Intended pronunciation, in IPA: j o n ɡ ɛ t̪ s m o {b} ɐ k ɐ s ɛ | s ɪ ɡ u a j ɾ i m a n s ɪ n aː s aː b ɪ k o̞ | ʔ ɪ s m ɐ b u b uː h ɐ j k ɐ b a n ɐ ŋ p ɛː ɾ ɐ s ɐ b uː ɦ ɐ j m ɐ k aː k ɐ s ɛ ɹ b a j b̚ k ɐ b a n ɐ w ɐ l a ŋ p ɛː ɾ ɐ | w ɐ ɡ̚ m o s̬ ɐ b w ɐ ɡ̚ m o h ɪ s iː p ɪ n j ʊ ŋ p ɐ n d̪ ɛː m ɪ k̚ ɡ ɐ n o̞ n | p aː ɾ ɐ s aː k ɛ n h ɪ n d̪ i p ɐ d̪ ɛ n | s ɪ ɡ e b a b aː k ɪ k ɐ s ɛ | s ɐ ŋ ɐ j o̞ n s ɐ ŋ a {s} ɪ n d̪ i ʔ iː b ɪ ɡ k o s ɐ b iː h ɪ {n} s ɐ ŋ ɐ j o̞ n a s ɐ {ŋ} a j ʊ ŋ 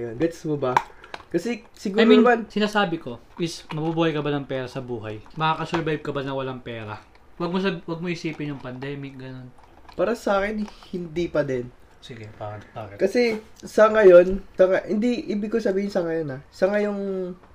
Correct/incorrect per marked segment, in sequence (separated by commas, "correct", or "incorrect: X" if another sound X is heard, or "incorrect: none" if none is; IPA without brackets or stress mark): correct, incorrect: h, correct, correct